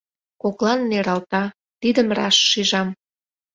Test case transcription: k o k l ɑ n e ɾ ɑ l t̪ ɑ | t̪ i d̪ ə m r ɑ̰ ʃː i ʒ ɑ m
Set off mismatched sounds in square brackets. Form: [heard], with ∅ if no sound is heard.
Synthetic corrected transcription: k o k l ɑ [nː] e ɾ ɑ l t̪ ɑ | t̪ i d̪ ə m r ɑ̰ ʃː i ʒ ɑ m